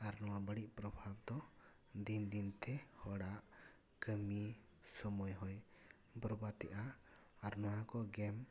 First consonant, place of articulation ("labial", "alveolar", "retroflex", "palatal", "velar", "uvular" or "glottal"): alveolar